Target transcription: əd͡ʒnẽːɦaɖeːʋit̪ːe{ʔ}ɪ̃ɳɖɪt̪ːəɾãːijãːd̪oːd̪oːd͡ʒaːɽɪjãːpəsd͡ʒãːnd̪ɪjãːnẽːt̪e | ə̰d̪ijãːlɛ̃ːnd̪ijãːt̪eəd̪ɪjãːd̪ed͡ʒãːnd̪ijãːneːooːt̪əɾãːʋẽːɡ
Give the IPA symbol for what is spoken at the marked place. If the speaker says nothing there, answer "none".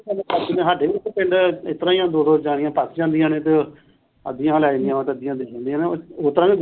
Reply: p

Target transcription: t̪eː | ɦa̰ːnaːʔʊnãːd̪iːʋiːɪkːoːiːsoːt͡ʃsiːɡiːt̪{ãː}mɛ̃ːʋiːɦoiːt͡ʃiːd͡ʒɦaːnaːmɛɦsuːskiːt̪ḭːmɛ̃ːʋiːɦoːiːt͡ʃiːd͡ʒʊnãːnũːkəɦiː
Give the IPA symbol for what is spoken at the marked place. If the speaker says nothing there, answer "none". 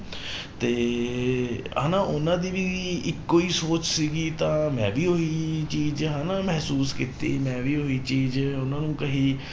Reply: ãː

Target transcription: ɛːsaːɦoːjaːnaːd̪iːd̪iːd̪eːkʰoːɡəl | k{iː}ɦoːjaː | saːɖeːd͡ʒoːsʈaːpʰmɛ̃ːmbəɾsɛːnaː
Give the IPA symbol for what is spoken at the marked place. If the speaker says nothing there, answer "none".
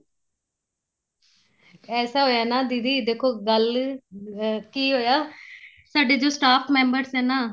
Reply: iː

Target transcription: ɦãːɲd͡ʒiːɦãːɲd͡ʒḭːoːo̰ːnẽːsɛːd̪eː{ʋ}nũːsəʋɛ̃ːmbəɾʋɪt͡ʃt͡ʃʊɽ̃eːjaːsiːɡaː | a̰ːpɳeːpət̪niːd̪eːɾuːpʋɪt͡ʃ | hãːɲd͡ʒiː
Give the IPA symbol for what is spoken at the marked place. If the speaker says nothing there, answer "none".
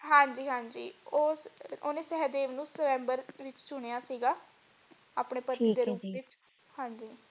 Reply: ʋ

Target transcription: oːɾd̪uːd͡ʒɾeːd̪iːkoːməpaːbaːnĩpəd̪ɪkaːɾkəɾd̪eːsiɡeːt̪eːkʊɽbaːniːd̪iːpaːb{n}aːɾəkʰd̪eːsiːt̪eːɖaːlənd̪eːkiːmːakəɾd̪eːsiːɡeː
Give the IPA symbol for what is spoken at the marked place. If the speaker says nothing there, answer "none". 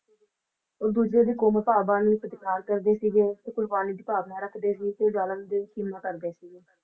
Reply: n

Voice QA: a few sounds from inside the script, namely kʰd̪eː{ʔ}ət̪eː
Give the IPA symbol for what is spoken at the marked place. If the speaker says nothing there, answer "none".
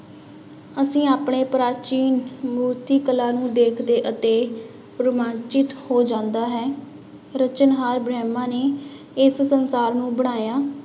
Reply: ʔ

